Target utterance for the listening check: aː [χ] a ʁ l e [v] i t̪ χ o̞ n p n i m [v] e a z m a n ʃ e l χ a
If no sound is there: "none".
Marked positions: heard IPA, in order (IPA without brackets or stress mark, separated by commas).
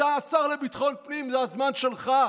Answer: s, b, z